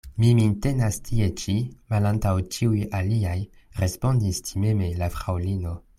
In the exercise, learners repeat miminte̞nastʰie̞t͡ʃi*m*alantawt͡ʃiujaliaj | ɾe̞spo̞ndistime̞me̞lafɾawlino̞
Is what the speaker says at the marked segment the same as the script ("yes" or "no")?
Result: yes